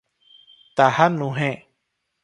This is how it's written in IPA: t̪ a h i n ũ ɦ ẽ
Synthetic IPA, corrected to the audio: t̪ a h a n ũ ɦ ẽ